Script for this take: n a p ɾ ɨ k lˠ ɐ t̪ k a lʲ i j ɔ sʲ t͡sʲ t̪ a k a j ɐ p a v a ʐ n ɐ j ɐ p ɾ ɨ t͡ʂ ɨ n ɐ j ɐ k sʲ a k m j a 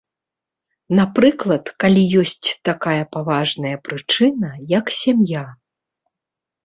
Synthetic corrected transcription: n a p ɾ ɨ k lˠ ɐ t̪ k a lʲ i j ɔ sʲ t͡sʲ t̪ a k a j ɐ p a v a ʐ n ɐ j ɐ p ɾ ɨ t͡ʂ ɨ n ɐ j ɐ k sʲ a m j a